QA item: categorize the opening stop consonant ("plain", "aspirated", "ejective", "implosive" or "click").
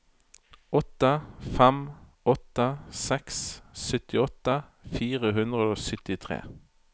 plain